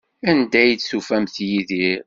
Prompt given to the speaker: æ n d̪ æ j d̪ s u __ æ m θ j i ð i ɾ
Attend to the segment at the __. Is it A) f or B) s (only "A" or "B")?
A